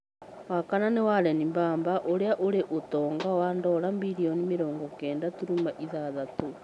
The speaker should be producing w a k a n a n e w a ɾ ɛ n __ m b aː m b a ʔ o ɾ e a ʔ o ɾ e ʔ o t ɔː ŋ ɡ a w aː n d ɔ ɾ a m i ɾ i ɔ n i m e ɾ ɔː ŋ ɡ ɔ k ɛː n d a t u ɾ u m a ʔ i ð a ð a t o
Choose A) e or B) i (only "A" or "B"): B